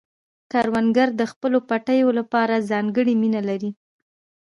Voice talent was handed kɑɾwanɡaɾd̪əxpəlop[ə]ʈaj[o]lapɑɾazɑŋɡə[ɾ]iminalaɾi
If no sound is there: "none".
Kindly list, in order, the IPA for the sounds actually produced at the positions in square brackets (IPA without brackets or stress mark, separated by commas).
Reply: a, o, ɽ